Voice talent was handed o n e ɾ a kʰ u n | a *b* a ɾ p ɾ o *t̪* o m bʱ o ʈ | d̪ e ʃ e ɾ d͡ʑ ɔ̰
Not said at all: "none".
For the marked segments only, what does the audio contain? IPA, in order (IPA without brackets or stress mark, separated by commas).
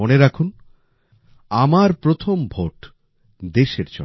m, t̪ʰ